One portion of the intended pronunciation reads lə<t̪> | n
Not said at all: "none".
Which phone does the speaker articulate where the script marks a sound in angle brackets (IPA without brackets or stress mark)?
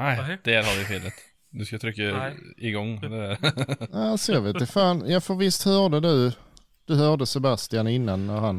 t̪